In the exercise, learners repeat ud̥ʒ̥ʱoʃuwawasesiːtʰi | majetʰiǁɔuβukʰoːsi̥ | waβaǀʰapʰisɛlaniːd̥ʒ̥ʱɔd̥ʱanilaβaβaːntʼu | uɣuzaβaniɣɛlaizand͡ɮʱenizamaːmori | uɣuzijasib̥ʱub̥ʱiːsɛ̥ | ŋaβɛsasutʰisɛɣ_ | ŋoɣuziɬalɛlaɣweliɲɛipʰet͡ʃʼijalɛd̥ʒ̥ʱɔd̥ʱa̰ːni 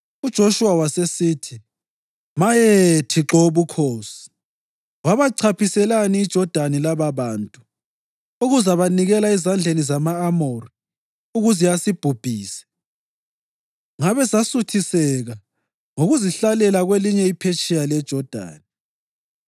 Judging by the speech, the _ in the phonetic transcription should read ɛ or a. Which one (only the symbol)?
a